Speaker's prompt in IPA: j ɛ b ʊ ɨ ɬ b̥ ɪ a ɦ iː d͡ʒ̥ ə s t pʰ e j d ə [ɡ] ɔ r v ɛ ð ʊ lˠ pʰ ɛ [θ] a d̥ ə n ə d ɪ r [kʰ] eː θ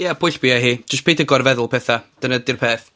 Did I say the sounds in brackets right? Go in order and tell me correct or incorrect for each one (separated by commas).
correct, correct, incorrect